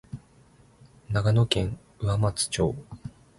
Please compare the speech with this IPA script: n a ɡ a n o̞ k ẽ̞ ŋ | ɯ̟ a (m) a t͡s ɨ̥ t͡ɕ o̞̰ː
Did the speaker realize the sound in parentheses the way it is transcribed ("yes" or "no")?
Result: yes